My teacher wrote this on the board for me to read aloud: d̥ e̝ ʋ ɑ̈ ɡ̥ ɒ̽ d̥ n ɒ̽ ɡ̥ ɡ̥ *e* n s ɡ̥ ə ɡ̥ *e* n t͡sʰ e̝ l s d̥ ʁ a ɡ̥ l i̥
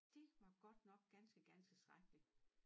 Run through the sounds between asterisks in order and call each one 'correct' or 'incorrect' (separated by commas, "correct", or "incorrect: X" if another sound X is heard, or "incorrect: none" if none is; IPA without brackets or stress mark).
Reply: incorrect: æ, incorrect: æ